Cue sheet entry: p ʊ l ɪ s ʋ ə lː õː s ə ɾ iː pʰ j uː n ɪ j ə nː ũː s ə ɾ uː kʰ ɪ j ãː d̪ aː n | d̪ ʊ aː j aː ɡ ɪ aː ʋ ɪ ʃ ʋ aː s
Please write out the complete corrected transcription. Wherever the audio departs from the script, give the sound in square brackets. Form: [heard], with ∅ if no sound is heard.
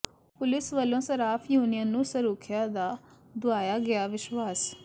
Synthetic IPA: p ʊ l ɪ s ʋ ə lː õː s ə ɾ [aː] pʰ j uː n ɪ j ə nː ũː s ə ɾ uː kʰ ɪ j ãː d̪ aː [∅] | d̪ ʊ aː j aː ɡ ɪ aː ʋ ɪ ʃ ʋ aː s

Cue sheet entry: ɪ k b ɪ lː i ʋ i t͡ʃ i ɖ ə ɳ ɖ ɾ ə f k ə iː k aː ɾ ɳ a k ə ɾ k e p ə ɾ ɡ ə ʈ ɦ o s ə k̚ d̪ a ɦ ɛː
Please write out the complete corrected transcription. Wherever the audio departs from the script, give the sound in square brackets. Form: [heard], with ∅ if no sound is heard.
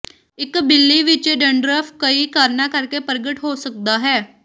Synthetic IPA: ɪ k b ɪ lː i ʋ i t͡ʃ [e] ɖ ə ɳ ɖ ɾ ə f k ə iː k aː ɾ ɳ a k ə ɾ k e p ə ɾ ɡ ə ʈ ɦ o s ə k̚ d̪ a ɦ ɛː

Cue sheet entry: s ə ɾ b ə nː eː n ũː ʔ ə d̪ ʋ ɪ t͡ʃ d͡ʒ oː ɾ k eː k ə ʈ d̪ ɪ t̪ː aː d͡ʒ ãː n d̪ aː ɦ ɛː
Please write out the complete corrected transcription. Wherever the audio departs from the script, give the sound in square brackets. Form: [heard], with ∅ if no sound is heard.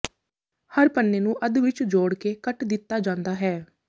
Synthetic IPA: [h] ə ɾ [p] ə nː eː n ũː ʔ ə d̪ ʋ ɪ t͡ʃ d͡ʒ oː [ɽ] k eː k ə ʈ d̪ ɪ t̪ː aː d͡ʒ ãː n d̪ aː ɦ ɛː

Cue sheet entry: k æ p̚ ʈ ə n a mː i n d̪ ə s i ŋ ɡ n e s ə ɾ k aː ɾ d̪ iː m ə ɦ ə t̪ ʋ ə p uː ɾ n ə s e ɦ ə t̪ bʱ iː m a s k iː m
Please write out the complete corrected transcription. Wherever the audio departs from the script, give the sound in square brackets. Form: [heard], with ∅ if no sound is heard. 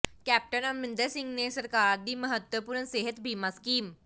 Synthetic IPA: k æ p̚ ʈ ə n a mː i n d̪ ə s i ŋ ɡ n e s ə ɾ k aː ɾ d̪ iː m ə ɦ ə t̪ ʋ ə p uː ɾ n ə s e ɦ ə t̪ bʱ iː m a s k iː m

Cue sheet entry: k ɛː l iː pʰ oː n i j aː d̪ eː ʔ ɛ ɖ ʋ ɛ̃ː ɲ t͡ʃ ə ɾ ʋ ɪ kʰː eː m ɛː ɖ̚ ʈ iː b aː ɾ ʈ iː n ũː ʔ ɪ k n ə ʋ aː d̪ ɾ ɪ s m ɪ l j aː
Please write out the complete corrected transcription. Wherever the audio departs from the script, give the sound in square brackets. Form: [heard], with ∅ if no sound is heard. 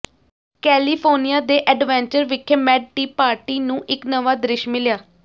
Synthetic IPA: k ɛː l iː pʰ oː n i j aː d̪ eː ʔ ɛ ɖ ʋ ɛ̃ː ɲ t͡ʃ ə ɾ ʋ ɪ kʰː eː m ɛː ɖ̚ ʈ iː [p] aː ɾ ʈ iː n ũː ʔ ɪ k n ə ʋ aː d̪ ɾ ɪ [ʃ] m ɪ l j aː

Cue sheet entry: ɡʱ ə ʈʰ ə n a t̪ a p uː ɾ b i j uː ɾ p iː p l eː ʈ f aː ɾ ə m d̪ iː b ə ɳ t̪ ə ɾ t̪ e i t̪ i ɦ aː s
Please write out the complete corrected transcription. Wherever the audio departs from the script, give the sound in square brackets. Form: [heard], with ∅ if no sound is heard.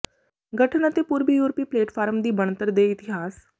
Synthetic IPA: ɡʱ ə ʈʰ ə n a t̪ [e] p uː ɾ b i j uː ɾ p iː p l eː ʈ f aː ɾ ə m d̪ iː b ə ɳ t̪ ə ɾ [d̪] e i t̪ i ɦ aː s

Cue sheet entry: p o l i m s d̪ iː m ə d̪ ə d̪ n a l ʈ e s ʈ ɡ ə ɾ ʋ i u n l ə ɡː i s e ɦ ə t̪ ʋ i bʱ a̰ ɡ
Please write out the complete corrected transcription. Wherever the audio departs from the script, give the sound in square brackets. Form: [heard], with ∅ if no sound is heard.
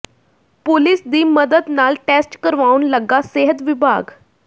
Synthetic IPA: p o l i [∅] s d̪ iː m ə d̪ ə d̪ n a l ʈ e s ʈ [k] ə ɾ ʋ [a] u n l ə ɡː [a] s e ɦ ə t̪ ʋ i bʱ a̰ ɡ

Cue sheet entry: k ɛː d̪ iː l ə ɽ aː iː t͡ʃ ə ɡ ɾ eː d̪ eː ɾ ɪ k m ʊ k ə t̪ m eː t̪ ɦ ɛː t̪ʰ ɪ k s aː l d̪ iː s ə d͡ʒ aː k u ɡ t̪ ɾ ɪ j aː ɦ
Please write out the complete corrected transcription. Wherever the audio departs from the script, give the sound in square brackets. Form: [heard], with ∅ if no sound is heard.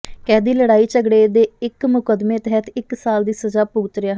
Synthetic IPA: k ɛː d̪ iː l ə ɽ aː iː t͡ʃ ə ɡ [ɽ] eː d̪ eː [∅] ɪ k m ʊ k ə [d̪] m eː t̪ ɦ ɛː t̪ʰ ɪ k s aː l d̪ iː s ə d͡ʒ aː [p] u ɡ t̪ ɾ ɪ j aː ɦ

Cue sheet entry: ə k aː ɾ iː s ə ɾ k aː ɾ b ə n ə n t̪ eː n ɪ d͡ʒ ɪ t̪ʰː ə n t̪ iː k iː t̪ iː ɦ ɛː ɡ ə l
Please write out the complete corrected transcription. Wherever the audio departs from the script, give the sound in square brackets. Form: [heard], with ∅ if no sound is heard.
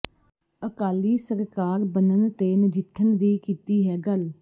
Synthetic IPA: ə k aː [l] iː s ə ɾ k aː ɾ b ə n ə n t̪ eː n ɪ d͡ʒ ɪ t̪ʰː ə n [d̪] iː k iː t̪ iː ɦ ɛː ɡ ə l

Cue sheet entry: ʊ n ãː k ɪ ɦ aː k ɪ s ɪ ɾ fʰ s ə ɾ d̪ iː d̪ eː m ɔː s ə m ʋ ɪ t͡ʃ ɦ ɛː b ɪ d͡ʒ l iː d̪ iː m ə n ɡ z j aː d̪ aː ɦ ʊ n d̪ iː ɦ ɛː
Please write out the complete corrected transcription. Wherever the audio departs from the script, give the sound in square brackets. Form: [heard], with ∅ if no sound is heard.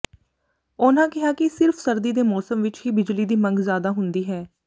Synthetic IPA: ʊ n ãː k ɪ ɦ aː k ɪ s ɪ ɾ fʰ s ə ɾ d̪ iː d̪ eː m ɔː s ə m ʋ ɪ t͡ʃ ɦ [iː] b ɪ d͡ʒ l iː d̪ iː m ə [ŋ] ɡ z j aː d̪ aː ɦ ʊ n d̪ iː ɦ ɛː

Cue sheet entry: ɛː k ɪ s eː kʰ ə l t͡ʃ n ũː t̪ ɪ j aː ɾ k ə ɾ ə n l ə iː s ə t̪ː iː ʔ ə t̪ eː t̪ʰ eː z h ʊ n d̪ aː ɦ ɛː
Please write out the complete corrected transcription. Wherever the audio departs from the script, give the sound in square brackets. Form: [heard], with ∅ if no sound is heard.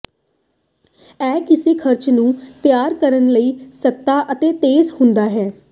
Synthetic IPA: ɛː k ɪ s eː kʰ ə [ɾ] t͡ʃ n ũː t̪ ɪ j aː ɾ k ə ɾ ə n l ə iː s ə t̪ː [aː] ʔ ə t̪ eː [t̪] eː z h ʊ n d̪ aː ɦ ɛː

